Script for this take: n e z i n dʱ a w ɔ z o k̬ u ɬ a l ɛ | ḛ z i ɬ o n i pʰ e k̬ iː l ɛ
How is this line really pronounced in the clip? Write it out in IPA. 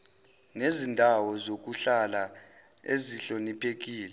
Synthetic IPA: n e z i n dʱ a w ɔ z o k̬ u ɬ a l a | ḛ z i ɬ o n i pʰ e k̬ iː l ɛ